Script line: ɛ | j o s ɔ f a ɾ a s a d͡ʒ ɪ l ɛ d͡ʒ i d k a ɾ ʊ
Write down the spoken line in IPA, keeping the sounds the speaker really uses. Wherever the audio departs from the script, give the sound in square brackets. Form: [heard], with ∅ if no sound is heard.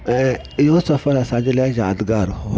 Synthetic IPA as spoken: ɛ | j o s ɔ f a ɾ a s a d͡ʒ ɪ l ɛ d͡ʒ [a] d [ɡ] a ɾ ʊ